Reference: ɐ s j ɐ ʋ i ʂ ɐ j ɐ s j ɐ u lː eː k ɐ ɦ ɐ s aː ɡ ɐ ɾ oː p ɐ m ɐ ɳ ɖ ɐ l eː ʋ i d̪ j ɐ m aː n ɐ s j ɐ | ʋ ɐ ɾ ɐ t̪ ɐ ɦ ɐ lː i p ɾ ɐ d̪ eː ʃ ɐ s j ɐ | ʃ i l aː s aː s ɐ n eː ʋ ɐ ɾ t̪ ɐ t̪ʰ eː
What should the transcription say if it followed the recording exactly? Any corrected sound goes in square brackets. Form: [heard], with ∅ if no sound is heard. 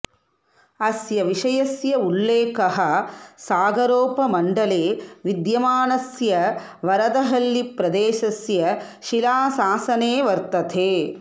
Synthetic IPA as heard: ɐ s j ɐ ʋ i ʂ ɐ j ɐ s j ɐ u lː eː k ɐ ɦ ɐ s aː ɡ ɐ ɾ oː p ɐ m ɐ ɳ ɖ ɐ l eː ʋ i d̪ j ɐ m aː n ɐ s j ɐ | ʋ ɐ ɾ ɐ [d̪] ɐ ɦ ɐ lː i p ɾ ɐ d̪ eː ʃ ɐ s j ɐ | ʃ i l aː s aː s ɐ n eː ʋ ɐ ɾ t̪ ɐ t̪ʰ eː